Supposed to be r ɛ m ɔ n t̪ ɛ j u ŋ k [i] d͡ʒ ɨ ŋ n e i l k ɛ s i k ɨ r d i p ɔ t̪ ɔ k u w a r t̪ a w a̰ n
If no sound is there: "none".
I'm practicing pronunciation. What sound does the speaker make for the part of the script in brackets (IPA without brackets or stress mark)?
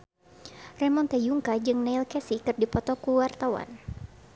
a